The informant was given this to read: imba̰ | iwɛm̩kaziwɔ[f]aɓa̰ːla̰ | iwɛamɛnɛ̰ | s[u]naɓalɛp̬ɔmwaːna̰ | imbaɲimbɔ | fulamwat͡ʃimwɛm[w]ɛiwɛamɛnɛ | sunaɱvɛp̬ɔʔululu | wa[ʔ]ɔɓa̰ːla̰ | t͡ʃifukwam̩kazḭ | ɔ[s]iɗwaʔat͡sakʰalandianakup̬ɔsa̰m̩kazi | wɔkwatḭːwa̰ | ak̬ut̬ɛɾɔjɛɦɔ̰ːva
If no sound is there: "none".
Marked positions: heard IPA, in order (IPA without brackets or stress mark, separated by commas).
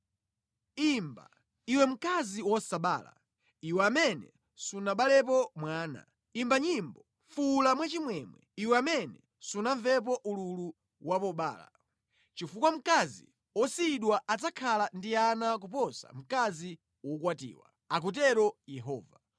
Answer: s, u, w, p, s